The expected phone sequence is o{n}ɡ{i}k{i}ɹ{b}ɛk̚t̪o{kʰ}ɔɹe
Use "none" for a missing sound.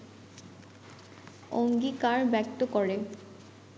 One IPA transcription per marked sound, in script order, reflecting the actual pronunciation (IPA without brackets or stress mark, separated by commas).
ŋ, i, a, b, k